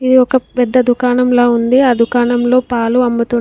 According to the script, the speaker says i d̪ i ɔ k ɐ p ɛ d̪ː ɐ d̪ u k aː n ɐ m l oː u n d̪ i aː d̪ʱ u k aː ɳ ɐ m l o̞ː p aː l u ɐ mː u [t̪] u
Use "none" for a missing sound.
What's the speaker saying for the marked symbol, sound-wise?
t̪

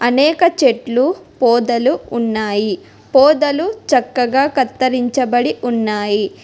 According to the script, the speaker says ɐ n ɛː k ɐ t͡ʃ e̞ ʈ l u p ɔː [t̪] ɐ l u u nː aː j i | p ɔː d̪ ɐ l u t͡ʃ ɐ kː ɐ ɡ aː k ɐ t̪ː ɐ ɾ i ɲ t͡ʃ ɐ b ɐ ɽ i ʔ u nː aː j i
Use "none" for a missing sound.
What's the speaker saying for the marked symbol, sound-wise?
d̪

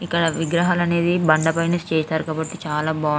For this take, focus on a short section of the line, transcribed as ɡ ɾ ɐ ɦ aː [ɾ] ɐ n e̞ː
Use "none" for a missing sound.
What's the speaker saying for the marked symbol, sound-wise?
l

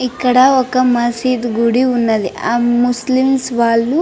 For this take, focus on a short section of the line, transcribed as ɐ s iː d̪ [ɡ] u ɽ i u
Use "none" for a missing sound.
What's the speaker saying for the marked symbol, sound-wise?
ɡ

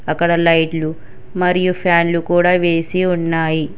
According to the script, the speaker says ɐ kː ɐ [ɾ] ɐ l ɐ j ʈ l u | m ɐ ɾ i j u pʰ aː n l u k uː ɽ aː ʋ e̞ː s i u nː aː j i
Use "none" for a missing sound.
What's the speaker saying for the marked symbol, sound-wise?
ɽ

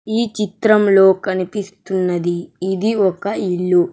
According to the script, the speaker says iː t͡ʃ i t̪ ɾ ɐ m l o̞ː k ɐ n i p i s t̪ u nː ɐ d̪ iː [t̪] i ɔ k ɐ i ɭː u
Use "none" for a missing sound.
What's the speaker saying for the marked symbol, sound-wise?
d̪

